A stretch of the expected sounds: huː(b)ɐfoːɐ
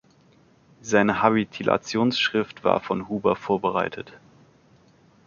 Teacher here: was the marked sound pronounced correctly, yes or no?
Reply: yes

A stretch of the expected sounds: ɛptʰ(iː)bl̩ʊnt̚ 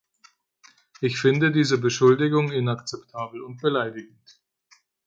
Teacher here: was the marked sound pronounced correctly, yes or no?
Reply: no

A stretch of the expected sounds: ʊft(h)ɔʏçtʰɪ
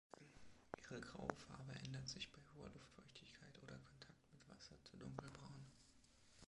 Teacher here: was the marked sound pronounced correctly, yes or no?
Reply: no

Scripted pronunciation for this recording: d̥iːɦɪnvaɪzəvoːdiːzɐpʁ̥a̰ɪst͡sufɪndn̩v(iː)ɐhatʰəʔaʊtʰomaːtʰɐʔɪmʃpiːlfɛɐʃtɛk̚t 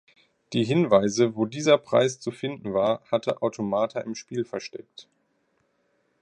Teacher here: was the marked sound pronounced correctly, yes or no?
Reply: no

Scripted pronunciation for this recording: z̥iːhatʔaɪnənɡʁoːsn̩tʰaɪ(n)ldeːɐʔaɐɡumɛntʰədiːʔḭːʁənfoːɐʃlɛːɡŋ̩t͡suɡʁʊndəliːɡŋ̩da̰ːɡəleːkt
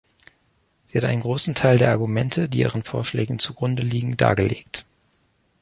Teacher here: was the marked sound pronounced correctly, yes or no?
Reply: no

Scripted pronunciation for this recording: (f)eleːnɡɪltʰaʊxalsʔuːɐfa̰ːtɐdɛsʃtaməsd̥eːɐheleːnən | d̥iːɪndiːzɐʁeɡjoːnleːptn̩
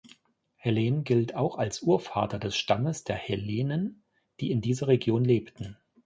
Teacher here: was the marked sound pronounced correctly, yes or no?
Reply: no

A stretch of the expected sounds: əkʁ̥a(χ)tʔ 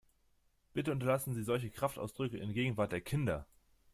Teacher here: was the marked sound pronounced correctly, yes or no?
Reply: no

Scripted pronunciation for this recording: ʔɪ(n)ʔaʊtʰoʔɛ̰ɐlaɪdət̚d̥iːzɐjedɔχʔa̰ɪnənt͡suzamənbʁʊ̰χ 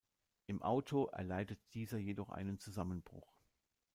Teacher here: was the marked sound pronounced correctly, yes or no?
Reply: no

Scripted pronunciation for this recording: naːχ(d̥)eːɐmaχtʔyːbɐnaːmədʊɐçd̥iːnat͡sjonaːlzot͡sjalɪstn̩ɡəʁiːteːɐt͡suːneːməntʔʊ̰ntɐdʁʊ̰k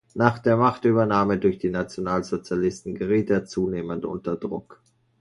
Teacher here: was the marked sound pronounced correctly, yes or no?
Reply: yes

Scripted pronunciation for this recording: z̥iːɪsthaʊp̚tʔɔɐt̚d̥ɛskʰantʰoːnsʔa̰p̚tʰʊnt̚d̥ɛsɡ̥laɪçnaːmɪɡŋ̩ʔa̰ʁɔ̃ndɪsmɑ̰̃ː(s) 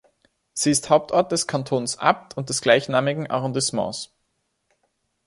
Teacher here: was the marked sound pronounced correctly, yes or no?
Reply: yes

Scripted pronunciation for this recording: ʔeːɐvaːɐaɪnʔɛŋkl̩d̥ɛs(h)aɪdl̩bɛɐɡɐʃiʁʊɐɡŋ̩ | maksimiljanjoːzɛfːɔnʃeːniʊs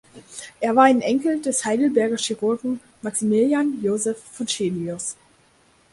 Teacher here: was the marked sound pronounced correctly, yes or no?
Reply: yes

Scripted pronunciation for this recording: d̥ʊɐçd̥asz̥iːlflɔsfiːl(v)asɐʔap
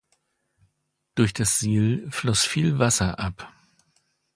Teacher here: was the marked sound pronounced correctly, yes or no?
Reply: yes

